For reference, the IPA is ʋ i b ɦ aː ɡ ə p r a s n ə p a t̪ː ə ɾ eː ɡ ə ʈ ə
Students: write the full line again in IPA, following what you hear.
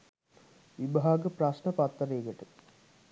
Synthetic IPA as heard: ʋ i b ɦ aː ɡ ə p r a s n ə p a t̪ː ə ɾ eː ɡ ə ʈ ə